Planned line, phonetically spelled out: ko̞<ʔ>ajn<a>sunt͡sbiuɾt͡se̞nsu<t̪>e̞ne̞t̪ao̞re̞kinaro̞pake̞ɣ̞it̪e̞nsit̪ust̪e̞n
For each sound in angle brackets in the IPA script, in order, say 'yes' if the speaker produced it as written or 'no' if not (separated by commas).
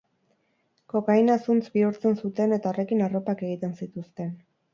no, yes, yes